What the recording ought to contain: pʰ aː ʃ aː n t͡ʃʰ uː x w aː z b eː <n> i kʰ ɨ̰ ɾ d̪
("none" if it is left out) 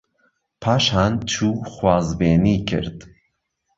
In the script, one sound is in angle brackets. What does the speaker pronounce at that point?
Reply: n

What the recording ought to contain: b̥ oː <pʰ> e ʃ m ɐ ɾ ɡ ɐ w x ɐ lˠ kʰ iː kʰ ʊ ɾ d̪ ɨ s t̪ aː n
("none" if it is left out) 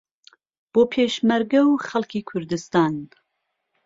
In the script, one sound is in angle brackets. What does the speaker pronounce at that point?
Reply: pʰ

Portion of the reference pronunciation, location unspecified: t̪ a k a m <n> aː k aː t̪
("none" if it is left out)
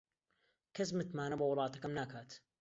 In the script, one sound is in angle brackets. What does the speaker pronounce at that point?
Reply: n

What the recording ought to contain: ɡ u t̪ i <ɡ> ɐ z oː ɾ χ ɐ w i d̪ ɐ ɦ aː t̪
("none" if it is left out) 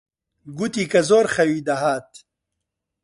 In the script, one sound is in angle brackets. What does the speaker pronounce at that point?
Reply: k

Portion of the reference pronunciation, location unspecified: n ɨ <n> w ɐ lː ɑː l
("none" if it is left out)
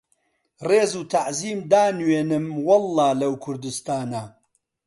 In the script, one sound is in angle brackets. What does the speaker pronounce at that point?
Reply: m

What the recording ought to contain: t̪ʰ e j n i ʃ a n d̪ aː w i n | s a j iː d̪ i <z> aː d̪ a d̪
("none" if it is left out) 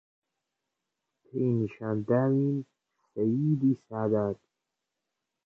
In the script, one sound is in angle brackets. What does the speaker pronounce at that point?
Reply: s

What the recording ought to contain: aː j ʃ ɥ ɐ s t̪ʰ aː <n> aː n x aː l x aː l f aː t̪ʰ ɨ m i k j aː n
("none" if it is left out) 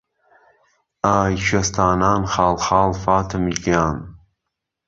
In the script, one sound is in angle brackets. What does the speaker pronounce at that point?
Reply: n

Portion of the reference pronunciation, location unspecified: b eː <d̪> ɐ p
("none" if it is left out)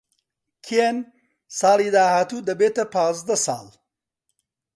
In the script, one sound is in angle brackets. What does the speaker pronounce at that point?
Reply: t̪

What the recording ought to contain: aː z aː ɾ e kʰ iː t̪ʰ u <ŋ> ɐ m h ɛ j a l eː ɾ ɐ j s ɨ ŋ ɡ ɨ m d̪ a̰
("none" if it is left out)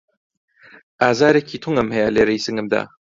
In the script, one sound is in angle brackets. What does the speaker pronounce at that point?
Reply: ŋ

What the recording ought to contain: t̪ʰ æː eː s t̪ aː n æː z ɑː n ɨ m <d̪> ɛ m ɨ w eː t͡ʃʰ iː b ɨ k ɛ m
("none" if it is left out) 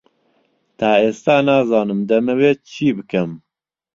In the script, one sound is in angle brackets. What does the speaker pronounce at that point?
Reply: d̪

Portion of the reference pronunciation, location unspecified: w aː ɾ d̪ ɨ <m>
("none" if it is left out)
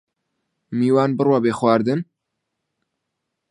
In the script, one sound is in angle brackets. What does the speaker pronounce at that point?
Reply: n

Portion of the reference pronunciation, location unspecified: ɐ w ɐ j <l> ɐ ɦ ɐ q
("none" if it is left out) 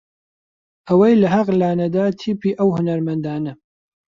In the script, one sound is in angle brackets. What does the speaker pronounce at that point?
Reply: l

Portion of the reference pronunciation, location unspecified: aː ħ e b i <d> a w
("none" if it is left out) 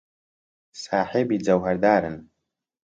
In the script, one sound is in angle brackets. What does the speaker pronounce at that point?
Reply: d͡z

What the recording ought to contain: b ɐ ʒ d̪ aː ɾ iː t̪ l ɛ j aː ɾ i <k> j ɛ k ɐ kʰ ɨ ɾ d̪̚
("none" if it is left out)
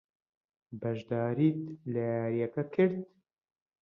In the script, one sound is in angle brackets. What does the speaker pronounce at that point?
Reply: none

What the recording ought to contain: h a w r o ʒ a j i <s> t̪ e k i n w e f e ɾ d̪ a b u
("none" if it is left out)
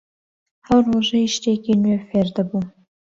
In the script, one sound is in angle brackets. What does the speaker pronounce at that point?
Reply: ʃ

